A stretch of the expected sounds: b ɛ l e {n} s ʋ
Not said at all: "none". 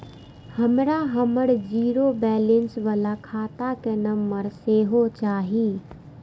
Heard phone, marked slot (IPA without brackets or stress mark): n